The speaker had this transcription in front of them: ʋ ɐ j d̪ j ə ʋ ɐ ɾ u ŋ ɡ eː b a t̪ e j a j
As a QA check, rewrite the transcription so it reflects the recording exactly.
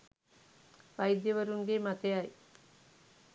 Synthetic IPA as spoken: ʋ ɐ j d̪ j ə ʋ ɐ ɾ u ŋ ɡ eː m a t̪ e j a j